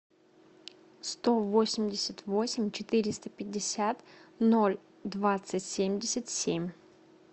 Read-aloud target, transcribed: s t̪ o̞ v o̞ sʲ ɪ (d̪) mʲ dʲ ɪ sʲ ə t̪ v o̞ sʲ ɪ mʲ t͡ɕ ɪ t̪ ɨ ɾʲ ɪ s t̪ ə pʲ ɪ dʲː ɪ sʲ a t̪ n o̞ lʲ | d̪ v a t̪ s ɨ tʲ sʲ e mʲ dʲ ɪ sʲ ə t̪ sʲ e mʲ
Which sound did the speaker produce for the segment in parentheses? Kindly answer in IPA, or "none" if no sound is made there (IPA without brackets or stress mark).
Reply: none